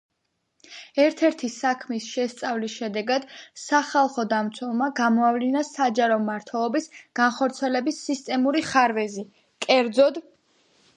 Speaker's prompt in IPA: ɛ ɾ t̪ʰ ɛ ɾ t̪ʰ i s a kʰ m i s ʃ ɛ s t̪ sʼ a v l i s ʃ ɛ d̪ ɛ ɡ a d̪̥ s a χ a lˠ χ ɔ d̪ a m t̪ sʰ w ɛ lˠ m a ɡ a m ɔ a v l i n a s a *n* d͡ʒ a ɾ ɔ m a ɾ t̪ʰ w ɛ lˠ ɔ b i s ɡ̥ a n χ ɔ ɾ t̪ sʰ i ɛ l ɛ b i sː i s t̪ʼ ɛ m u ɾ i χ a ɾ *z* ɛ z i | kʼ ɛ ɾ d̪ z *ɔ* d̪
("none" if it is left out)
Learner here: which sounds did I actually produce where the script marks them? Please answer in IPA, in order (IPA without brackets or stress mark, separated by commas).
none, v, ɔ